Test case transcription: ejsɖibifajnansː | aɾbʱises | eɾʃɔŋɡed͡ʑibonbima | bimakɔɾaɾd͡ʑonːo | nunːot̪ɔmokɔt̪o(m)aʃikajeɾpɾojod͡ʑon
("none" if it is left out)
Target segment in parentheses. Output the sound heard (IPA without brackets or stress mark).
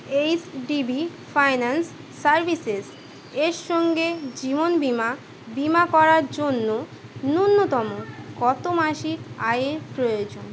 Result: m